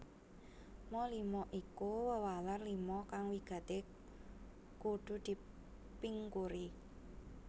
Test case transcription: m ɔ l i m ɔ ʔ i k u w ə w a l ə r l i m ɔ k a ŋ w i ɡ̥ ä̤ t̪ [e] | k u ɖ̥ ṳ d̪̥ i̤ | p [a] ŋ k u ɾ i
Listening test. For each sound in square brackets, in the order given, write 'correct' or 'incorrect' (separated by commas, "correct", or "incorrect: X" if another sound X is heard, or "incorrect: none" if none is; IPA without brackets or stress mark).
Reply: correct, incorrect: i